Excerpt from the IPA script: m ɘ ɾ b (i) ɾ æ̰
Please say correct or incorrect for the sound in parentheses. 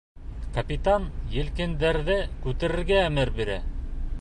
correct